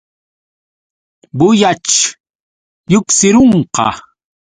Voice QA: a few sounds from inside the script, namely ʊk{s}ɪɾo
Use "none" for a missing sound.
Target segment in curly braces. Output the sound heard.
s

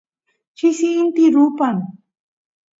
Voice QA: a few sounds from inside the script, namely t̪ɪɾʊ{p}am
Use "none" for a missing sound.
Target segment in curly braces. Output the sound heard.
p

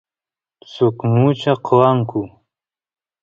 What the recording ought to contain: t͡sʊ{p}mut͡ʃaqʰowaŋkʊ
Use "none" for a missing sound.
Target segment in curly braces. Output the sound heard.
k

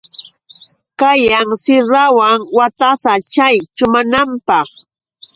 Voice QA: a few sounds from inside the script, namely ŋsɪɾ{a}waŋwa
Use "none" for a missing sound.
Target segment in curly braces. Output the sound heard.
a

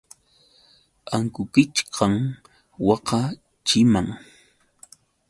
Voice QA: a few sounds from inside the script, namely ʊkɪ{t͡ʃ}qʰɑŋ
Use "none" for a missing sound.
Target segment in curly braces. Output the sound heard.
t͡ʃ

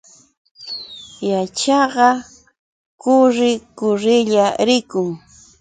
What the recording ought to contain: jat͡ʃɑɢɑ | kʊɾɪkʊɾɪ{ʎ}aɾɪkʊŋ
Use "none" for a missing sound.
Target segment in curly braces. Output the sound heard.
ʎ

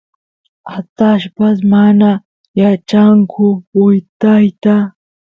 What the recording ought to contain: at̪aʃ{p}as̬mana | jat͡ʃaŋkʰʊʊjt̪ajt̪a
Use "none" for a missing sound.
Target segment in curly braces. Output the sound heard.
p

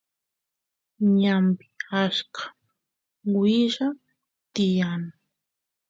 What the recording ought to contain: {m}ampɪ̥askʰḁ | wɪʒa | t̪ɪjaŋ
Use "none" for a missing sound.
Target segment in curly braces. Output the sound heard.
ɲ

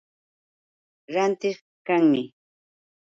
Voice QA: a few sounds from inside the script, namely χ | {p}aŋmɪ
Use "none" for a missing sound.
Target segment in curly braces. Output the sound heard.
k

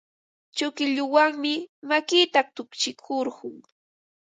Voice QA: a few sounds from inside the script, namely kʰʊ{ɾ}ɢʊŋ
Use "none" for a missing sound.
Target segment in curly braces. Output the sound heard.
ɾ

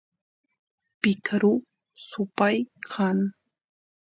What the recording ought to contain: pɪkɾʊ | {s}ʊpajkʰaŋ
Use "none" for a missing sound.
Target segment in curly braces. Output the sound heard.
s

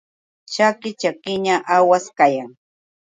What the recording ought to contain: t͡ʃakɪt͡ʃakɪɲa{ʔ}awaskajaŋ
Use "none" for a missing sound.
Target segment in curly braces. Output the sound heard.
ʔ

